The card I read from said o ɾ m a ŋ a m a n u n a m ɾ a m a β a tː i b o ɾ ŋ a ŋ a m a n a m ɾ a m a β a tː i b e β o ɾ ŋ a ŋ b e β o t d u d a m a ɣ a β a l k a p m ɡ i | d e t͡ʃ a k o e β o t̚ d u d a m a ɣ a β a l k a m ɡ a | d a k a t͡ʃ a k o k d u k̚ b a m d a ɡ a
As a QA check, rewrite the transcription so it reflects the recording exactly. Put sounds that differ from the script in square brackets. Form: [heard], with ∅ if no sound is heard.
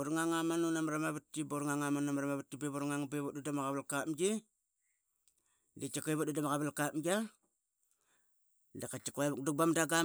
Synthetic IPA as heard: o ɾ [ŋ] a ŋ a m a n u n a m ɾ a m a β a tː i b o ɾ ŋ a ŋ a m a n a m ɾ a m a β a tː i b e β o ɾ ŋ a ŋ b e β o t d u d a m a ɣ a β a l k a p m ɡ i | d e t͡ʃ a k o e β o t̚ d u d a m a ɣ a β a l k a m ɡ a | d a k a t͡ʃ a k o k d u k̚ b a m d a ɡ a